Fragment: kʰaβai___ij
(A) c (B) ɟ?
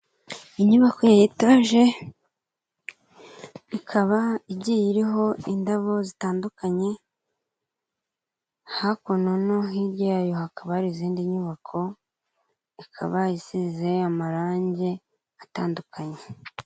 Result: B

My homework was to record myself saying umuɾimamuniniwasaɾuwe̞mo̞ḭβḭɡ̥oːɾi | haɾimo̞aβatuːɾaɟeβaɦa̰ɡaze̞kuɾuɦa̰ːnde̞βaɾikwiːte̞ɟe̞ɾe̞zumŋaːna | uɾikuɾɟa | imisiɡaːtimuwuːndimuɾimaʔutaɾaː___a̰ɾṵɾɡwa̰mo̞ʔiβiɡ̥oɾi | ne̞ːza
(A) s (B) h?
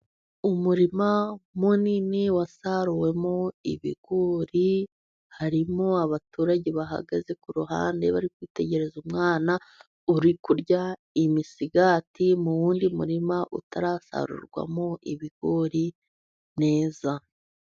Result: A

